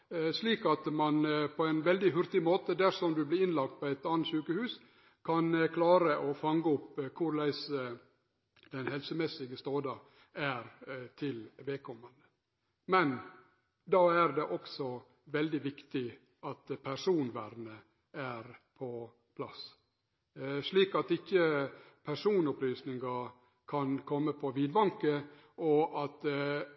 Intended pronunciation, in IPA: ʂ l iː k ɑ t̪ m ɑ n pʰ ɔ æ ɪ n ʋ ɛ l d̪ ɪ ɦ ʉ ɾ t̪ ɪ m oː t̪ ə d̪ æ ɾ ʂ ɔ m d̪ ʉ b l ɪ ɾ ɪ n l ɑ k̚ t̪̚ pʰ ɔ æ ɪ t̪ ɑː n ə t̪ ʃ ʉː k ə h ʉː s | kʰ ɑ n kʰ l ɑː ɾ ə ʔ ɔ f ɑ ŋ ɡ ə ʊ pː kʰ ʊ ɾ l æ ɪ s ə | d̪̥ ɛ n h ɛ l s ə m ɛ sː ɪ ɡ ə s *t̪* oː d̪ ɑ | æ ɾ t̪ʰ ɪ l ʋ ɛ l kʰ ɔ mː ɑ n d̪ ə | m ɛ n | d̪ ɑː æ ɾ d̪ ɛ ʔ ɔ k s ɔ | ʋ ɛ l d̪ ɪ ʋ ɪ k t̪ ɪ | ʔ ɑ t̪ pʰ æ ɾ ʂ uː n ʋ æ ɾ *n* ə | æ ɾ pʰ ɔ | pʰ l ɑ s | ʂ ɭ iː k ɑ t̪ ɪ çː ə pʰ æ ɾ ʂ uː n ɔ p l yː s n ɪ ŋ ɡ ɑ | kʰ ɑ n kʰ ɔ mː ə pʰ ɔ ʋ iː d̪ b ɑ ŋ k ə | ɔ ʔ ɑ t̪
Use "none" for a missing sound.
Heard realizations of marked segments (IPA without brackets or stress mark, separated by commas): t̪, n